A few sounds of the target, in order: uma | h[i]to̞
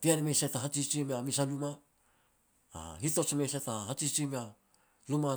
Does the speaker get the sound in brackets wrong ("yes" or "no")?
no